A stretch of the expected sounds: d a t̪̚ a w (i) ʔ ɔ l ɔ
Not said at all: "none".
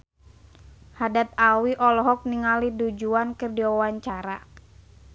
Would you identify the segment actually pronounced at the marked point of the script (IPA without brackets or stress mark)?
i